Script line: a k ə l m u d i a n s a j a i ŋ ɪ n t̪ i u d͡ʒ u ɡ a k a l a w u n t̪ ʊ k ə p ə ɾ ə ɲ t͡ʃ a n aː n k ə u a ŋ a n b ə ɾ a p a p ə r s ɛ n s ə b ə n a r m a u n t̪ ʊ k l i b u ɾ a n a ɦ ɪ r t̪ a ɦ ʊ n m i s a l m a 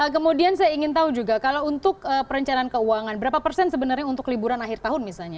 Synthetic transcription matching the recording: ə k ə m u d i a n s a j a i ŋ ɪ n t̪ a u d͡ʒ u ɡ a k a l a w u n t̪ ʊ k ə p ə ɾ ə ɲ t͡ʃ a n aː n k ə u a ŋ a n b ə ɾ a p a p ə r s ɛ n s ə b ə n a r ɲ a u n t̪ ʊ k l i b u ɾ a n a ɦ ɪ r t̪ a ɦ ʊ n m i s a l ɲ a